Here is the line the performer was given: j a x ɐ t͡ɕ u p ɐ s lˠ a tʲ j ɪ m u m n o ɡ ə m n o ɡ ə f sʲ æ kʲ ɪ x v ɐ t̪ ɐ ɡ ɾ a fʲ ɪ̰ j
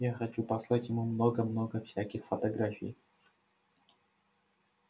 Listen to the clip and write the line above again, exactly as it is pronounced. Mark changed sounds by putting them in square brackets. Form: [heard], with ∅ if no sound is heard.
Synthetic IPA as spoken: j a x ɐ t͡ɕ u p ɐ s lˠ a tʲ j ɪ m u m n o ɡ ə m n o ɡ ə f sʲ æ kʲ ɪ x [f] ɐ t̪ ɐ ɡ ɾ a fʲ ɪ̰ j